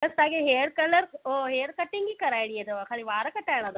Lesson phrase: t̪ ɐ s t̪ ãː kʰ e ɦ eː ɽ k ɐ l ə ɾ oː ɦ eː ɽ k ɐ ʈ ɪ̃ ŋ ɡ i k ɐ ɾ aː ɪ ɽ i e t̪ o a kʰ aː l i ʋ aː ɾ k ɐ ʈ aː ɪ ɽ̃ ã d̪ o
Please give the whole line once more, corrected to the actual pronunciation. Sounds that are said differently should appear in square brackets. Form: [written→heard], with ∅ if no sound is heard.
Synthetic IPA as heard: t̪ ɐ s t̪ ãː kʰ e ɦ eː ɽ k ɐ l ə ɾ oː ɦ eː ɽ k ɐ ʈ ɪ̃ ŋ ɡ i k ɐ ɾ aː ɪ ɽ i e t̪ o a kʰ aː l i ʋ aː ɾ k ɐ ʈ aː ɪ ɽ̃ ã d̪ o